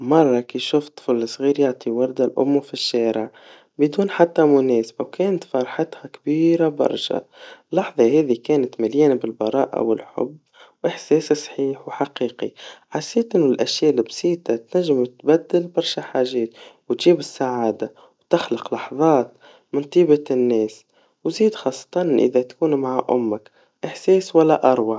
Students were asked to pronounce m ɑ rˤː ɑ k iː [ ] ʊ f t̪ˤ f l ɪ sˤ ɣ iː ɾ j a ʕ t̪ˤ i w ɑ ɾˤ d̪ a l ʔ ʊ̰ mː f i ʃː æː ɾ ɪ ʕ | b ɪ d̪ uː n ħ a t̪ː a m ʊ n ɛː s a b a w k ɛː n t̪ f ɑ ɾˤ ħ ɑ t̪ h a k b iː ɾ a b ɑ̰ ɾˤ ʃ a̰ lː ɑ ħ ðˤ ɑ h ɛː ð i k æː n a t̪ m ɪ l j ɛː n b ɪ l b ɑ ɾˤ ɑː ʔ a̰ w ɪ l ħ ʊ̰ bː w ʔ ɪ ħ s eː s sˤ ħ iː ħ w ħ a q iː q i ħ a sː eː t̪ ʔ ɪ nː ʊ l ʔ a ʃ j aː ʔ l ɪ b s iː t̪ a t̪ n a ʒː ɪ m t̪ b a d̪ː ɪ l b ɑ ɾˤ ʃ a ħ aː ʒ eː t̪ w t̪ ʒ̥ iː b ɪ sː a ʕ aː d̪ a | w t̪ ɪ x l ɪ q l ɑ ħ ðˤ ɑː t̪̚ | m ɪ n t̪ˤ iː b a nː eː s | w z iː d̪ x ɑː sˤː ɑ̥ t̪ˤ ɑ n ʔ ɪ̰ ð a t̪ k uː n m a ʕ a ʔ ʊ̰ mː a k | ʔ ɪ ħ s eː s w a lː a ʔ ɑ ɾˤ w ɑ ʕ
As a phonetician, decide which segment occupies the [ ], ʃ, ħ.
ʃ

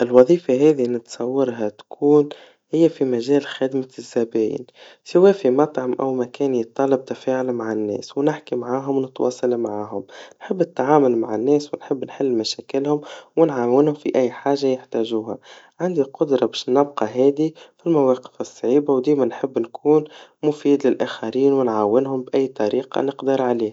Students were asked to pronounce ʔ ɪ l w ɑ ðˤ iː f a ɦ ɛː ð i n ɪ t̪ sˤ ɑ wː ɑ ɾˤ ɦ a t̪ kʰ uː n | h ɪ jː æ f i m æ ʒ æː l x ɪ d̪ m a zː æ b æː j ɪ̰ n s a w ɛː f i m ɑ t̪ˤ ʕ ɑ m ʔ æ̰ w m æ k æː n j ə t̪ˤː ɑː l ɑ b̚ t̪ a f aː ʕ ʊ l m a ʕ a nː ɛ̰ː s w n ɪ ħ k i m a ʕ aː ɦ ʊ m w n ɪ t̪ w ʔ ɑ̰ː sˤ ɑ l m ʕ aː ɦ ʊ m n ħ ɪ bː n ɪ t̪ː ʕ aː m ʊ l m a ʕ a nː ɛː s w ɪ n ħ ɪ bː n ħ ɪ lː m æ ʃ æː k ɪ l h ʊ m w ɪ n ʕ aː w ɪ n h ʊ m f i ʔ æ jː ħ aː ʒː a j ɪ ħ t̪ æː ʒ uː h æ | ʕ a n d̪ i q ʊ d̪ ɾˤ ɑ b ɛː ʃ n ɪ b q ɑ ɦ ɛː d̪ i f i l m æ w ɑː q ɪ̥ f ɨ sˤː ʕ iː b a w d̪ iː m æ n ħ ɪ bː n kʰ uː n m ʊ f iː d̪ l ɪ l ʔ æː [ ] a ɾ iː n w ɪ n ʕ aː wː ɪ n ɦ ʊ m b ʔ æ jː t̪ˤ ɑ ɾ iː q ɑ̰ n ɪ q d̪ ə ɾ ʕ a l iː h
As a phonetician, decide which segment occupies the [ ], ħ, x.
x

